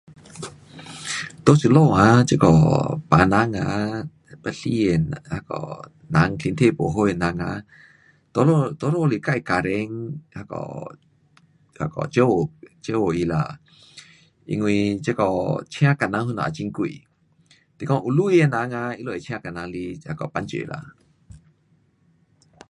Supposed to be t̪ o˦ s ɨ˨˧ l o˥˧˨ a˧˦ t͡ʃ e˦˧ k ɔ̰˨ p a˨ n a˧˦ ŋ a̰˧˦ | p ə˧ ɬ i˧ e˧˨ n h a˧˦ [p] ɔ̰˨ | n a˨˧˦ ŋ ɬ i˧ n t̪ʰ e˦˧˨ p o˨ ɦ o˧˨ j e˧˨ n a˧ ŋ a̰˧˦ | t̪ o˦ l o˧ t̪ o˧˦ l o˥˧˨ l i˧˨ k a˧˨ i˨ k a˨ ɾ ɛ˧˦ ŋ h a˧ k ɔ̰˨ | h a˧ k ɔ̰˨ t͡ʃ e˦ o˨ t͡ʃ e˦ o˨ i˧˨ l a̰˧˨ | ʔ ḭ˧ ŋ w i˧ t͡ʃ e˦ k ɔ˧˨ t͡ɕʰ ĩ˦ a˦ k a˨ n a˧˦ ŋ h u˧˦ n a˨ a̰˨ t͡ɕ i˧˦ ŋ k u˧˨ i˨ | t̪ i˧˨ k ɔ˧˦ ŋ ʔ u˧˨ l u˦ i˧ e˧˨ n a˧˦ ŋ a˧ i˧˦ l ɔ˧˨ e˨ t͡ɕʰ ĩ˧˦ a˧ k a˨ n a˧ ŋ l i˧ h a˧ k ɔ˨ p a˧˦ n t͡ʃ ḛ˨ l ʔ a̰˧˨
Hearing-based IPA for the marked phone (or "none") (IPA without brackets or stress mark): k